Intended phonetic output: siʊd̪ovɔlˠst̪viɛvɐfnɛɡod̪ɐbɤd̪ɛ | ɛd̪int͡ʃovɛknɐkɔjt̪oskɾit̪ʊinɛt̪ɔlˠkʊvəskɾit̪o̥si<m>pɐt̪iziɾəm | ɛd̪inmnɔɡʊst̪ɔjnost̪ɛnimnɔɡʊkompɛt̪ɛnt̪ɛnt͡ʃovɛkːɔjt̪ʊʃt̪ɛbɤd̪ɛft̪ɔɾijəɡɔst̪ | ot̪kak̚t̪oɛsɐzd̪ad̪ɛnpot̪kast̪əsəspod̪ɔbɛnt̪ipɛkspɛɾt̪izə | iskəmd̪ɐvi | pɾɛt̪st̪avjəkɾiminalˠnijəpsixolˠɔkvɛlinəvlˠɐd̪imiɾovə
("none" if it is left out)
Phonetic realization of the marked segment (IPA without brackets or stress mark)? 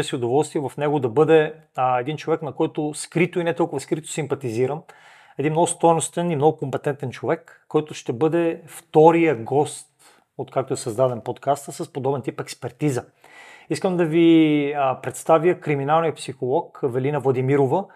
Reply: m